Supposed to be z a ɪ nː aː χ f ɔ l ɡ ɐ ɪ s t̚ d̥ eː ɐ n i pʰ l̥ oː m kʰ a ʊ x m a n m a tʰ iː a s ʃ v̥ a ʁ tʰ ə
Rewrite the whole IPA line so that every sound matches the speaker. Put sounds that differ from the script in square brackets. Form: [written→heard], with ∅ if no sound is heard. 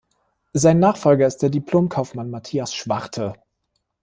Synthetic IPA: z a ɪ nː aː χ f ɔ l ɡ ɐ ɪ s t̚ d̥ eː ɐ [n→d] i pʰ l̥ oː m kʰ a ʊ [x→f] m a n m a tʰ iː a s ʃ v̥ a ʁ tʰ ə